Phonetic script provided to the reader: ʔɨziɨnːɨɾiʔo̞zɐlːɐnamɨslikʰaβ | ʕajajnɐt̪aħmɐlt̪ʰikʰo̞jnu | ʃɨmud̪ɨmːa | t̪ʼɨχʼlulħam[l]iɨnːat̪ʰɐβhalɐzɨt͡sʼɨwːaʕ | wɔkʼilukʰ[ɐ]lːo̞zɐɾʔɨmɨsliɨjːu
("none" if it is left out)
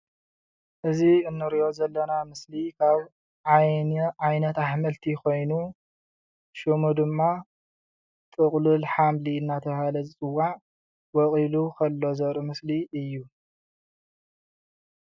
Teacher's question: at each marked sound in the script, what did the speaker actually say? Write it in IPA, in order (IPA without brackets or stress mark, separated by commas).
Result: l, ɐ